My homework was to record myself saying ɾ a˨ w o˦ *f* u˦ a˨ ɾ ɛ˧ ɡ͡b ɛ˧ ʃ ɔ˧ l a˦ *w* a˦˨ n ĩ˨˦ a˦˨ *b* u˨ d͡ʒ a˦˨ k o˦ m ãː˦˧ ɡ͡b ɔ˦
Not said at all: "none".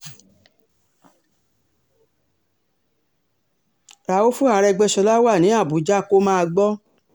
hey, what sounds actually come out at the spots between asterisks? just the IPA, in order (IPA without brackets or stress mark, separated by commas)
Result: f, w, b